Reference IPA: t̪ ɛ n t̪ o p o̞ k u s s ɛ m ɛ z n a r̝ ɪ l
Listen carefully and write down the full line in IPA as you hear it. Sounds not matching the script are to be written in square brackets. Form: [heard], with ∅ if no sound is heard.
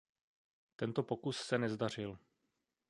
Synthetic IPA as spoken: t̪ ɛ n t̪ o p o̞ k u s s ɛ [n] ɛ z [d] a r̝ ɪ l